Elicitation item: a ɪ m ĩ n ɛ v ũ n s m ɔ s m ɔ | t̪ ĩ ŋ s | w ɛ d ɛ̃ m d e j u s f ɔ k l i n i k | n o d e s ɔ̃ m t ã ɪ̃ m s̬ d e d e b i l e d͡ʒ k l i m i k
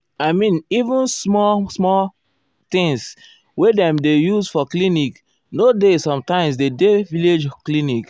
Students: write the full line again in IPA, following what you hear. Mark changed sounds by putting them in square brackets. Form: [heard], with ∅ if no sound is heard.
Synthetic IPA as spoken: a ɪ m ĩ n [i] v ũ n s m ɔ s m ɔ | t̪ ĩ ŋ s | w [e] d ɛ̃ m d e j u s f ɔ k l i n i k | n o d e s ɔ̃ m t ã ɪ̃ m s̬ d e d e [v] i l e d͡ʒ k l i [n] i k